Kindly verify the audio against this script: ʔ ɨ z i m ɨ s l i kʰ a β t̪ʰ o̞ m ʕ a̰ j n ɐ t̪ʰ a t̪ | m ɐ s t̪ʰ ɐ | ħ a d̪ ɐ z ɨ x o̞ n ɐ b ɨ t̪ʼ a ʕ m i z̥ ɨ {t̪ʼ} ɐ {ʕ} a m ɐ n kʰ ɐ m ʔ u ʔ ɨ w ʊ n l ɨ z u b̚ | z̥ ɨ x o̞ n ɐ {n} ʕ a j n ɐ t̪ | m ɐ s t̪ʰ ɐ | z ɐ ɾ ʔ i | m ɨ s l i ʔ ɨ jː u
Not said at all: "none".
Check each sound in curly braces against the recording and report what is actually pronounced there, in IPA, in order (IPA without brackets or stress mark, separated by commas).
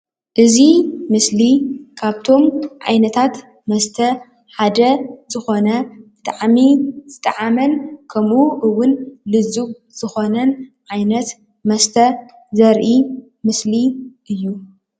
t̪ʼ, ʕ, n